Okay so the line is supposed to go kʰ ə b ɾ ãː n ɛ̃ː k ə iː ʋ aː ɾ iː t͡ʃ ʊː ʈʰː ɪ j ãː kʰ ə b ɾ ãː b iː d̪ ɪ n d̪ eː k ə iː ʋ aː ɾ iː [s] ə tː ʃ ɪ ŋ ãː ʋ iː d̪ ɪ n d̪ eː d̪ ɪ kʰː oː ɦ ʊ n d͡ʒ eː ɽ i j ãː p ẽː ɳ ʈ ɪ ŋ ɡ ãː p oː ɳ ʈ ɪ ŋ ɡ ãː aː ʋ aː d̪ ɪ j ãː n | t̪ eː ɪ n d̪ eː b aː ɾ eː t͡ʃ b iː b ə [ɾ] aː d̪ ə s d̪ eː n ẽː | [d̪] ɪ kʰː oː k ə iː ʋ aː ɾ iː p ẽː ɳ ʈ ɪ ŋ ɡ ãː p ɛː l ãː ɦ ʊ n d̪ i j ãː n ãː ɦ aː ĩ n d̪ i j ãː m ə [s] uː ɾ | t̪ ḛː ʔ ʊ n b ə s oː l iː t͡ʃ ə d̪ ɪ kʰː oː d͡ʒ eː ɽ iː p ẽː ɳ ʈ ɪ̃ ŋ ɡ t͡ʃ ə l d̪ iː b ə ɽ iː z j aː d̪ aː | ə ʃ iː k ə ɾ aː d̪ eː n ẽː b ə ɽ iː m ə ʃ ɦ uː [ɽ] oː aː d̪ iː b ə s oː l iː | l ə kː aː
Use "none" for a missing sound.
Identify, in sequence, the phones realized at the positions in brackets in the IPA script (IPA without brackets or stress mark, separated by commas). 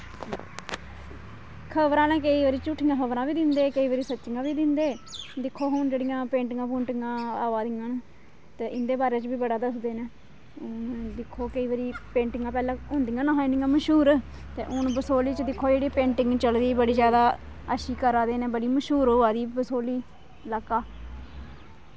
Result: s, ɽ, d̪, ʃ, ɾ